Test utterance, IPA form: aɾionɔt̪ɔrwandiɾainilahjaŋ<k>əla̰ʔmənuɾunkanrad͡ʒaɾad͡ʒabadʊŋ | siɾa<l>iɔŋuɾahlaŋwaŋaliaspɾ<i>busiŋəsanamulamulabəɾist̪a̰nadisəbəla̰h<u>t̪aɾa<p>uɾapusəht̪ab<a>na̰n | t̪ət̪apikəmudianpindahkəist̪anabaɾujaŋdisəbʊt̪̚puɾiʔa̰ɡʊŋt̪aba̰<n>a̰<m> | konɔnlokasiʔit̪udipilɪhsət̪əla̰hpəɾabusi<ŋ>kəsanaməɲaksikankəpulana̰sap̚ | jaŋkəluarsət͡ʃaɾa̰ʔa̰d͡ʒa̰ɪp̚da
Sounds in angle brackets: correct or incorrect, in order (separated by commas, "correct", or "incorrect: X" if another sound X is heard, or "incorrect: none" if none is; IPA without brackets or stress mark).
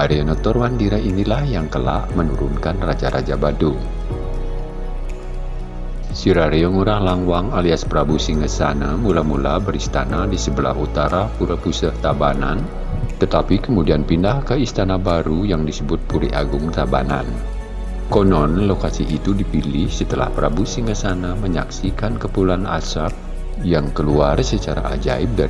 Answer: correct, incorrect: ɾ, incorrect: a, correct, correct, correct, correct, incorrect: n, correct